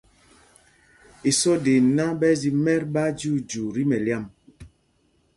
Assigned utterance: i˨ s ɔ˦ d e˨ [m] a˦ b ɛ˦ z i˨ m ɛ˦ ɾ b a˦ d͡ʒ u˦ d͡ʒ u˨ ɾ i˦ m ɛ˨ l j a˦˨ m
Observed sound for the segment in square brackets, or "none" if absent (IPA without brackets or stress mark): n